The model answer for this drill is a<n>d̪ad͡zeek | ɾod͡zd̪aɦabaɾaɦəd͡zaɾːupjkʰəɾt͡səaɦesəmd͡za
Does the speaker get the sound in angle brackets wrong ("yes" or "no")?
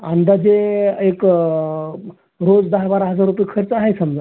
no